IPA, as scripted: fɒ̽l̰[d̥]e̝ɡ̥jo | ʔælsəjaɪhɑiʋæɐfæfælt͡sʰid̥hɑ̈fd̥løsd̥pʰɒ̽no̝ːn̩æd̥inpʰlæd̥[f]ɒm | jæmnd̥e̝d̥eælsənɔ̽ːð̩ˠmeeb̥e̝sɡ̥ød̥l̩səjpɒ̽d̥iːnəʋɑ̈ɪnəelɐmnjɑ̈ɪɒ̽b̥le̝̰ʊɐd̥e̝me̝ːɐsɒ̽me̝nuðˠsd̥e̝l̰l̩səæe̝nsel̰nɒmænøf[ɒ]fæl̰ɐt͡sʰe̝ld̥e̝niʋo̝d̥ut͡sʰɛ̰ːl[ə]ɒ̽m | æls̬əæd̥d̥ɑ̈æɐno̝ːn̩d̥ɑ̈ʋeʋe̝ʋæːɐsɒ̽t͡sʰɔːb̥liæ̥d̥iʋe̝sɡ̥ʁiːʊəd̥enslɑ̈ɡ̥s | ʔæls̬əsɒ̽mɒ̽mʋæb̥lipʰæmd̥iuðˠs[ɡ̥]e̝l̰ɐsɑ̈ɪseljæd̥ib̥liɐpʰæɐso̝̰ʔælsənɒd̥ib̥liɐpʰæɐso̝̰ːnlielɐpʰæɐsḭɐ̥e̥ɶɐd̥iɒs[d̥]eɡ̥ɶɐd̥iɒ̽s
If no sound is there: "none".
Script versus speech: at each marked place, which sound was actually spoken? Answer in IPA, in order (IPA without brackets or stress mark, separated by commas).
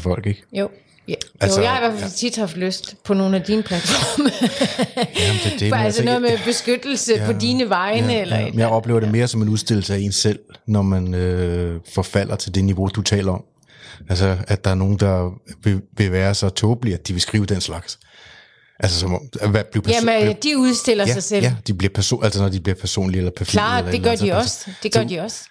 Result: ɡ̥, f, ɒ, ɐ, d̥, d̥